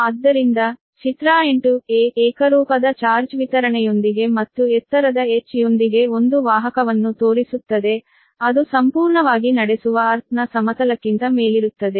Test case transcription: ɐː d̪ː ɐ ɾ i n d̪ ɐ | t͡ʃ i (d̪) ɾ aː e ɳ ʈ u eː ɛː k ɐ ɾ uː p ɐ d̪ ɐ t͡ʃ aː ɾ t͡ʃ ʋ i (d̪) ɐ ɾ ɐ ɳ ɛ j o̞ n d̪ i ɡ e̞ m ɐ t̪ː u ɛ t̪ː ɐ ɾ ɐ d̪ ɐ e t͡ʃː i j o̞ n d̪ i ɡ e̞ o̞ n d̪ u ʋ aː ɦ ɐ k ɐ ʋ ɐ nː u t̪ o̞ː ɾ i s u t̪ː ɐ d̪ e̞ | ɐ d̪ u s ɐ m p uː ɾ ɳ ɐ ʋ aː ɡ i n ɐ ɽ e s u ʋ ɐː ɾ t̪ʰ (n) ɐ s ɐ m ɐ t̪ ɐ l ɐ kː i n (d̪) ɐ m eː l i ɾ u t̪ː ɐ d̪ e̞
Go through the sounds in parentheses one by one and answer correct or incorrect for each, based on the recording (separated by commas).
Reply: incorrect, incorrect, correct, incorrect